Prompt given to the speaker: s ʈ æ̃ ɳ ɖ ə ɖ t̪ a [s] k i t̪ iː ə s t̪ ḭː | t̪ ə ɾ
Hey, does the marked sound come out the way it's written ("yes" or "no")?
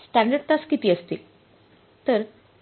yes